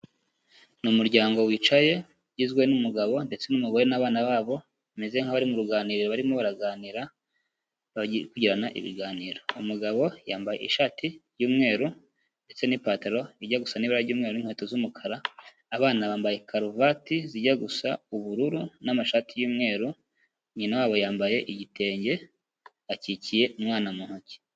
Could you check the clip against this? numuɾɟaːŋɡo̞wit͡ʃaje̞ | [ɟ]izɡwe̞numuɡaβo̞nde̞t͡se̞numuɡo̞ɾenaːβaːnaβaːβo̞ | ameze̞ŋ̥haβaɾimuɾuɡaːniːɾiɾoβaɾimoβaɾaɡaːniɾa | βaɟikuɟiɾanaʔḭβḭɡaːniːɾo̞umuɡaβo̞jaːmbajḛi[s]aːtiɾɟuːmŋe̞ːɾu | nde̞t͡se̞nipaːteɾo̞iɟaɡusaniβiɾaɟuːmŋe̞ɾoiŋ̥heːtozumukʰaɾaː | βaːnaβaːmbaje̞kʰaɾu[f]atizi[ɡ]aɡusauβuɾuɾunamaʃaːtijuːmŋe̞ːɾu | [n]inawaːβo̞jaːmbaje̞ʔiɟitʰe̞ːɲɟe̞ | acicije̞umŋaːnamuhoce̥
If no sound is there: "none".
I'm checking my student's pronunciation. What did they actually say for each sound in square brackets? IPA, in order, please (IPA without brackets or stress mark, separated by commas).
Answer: ɟ, ʃ, v, ɟ, ɲ